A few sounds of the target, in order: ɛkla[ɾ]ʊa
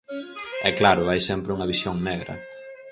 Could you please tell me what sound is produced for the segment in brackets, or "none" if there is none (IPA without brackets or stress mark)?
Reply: ɾ